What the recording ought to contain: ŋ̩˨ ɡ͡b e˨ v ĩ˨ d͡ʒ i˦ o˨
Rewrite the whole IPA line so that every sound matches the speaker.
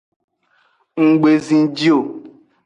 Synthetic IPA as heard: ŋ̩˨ ɡ͡b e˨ z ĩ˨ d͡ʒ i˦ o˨